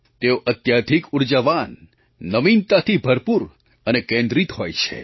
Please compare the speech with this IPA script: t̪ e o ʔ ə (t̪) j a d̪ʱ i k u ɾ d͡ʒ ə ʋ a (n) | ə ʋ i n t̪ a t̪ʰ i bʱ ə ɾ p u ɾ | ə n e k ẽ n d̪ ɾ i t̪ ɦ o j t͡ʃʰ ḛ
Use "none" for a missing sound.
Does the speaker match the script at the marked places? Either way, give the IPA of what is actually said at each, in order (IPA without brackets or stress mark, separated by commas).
t̪, nː